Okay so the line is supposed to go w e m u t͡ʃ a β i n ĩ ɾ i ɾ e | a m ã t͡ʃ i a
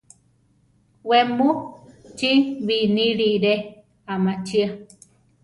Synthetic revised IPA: w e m u t͡ʃ i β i n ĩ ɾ i ɾ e | a m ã t͡ʃ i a